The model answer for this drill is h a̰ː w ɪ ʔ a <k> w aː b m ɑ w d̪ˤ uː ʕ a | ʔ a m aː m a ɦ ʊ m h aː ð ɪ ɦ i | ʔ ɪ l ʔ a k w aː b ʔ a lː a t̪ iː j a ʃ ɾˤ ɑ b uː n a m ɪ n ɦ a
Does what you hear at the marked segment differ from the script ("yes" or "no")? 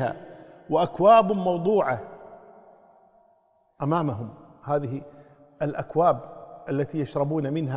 no